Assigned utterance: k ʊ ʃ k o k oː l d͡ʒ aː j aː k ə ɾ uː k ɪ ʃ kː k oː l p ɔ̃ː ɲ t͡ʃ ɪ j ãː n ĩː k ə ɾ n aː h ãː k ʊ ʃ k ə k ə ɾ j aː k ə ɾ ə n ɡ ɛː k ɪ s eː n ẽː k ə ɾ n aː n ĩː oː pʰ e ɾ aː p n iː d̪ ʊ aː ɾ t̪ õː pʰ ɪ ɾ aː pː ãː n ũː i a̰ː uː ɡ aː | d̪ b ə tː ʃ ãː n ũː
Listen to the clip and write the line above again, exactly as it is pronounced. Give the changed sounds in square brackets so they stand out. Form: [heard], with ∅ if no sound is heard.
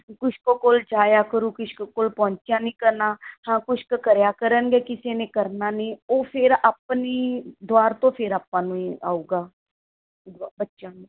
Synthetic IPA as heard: k ʊ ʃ k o k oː l d͡ʒ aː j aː k ə ɾ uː k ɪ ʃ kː k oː l p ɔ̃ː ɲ t͡ʃ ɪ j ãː n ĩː k ə ɾ n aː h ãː k ʊ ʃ k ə k ə ɾ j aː k ə ɾ ə n ɡ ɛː k ɪ s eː n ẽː k ə ɾ n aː n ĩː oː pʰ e ɾ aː p n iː d̪ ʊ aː ɾ t̪ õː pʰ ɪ ɾ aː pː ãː n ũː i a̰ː uː ɡ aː | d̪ b ə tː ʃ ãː n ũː